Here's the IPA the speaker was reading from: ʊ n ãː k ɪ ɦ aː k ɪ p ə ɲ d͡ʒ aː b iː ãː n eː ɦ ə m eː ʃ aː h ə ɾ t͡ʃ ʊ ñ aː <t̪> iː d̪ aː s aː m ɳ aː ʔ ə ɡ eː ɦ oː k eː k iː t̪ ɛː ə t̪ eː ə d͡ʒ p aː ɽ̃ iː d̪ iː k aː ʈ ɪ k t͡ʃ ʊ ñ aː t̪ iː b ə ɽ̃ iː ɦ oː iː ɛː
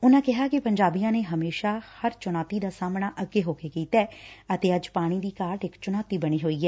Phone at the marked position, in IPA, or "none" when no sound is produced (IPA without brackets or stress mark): t̪